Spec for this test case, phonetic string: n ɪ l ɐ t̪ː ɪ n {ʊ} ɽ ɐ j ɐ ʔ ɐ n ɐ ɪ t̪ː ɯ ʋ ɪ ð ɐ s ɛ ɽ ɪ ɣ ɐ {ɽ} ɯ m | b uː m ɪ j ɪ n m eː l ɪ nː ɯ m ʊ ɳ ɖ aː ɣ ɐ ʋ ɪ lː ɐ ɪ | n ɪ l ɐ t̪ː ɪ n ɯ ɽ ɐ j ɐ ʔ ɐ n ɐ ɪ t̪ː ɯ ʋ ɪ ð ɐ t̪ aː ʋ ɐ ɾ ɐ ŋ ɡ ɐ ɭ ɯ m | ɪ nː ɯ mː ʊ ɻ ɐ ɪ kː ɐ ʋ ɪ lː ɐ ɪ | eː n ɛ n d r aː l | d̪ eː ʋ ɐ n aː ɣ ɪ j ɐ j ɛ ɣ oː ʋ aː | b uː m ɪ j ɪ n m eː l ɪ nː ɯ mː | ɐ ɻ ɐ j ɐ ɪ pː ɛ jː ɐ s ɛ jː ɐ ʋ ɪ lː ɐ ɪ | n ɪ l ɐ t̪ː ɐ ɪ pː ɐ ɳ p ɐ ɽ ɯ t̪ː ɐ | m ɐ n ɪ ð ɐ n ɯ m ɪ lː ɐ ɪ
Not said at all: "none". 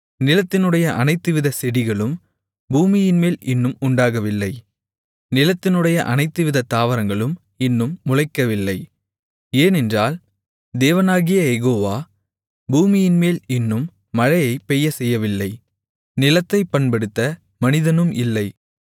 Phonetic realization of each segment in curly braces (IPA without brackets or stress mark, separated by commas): ɯ, ɭ